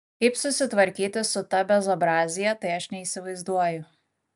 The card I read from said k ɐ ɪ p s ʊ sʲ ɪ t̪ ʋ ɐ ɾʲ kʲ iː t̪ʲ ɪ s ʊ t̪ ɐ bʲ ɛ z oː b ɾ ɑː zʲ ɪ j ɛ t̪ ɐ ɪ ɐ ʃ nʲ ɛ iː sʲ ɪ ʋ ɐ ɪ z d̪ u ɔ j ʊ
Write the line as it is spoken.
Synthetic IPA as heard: k ɐ ɪ p s ʊ sʲ ɪ t̪ ʋ ɐ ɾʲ kʲ iː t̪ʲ ɪ s ʊ t̪ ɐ bʲ ɛ z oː b ɾ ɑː zʲ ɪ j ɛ t̪ ɐ ɪ ɐ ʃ nʲ ɛ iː sʲ ɪ ʋ ɐ ɪ z d̪ u ɔ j ʊ